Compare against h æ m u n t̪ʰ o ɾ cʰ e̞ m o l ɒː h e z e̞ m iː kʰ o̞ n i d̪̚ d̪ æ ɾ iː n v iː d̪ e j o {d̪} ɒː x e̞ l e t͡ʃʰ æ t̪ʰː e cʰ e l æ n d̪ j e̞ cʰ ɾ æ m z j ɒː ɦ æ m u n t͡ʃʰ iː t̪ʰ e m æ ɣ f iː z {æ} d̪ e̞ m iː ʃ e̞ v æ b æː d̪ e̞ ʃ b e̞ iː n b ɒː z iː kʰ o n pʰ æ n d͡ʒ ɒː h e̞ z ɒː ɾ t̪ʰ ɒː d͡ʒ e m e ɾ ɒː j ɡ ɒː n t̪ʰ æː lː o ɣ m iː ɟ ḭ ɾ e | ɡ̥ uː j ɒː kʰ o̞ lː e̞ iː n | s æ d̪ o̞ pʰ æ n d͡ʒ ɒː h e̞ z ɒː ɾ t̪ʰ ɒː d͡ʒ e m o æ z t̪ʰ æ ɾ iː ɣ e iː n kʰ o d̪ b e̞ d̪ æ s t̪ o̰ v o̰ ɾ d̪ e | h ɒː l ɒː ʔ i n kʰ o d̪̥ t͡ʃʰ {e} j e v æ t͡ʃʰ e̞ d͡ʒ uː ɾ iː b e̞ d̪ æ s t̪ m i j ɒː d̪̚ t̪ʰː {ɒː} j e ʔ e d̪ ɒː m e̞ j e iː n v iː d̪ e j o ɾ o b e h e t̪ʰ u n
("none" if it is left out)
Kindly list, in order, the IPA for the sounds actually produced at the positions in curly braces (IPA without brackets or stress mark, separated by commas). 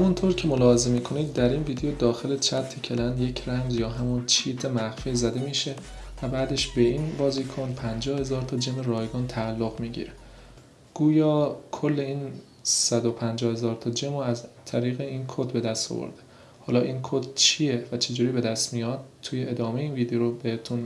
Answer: d̪, æ, i, uː